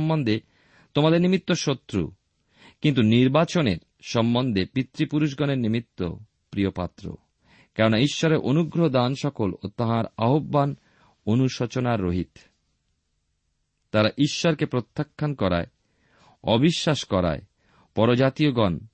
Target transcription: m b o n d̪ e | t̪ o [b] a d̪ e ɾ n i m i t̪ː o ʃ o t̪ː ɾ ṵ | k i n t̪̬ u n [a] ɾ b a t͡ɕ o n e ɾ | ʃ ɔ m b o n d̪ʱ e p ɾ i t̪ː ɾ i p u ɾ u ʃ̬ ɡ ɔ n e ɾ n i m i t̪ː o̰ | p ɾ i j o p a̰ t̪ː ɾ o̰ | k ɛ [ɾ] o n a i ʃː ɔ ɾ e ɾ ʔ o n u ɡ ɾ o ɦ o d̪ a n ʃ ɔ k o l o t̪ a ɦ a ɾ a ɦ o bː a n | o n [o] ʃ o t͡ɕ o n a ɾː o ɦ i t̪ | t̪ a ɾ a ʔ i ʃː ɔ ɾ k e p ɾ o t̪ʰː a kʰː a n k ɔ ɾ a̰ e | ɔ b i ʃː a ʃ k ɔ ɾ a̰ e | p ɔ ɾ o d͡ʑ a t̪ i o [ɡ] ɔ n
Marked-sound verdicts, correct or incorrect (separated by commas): incorrect, incorrect, correct, incorrect, correct